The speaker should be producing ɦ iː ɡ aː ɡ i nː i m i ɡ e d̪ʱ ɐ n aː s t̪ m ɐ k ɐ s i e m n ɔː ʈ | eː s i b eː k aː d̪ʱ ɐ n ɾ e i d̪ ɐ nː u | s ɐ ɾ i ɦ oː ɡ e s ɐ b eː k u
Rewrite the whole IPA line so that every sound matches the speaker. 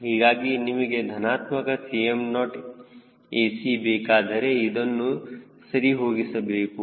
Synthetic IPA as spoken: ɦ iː ɡ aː ɡ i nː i m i ɡ e d̪ʱ ɐ n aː t̪ m ɐ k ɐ s i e m n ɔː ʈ | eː s i b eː k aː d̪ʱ ɐ ɾ e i d̪ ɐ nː u | s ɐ ɾ i ɦ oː ɡ i s ɐ b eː k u